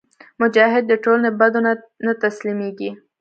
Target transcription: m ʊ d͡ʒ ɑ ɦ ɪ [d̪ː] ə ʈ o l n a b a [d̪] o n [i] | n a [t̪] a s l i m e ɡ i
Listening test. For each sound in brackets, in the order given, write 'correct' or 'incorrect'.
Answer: correct, correct, incorrect: a, correct

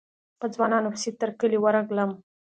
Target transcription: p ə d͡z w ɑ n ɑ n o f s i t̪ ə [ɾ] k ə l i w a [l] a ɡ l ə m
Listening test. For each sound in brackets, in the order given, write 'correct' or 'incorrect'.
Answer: correct, incorrect: ɾ

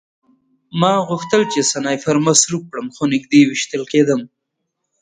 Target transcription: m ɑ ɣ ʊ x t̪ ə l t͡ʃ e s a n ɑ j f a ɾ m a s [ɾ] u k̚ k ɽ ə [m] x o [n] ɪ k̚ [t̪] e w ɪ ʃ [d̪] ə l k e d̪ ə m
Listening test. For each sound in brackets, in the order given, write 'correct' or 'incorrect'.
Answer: correct, correct, correct, incorrect: d̪, incorrect: t̪

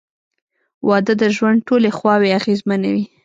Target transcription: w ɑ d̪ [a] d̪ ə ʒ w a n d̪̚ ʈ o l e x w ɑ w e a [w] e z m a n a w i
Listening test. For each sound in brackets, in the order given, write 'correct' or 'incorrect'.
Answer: incorrect: ə, incorrect: ɣ

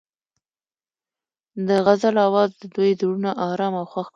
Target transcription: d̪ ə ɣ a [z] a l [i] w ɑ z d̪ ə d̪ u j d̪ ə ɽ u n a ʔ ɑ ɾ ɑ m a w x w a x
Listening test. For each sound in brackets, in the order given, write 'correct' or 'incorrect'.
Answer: correct, incorrect: a

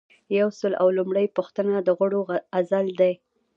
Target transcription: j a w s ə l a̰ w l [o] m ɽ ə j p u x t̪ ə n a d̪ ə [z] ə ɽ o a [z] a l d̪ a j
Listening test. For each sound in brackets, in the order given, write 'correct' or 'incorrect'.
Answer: incorrect: u, incorrect: ɣ, correct

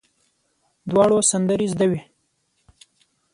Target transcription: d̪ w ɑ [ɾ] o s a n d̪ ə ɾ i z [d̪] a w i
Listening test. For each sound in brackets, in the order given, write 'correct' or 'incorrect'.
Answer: incorrect: ɽ, correct

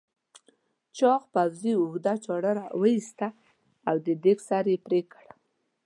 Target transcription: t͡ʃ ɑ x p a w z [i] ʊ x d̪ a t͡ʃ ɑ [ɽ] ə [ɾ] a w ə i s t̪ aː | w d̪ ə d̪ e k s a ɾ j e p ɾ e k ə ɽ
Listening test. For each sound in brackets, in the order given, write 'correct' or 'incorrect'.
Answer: correct, correct, correct

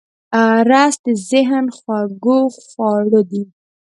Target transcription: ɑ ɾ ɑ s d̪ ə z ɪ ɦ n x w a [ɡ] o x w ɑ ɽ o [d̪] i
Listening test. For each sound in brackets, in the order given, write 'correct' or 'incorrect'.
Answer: correct, correct

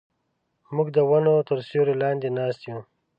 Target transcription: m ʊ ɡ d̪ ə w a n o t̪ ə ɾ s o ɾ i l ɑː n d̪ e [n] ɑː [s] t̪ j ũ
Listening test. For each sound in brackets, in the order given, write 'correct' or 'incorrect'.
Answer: correct, correct

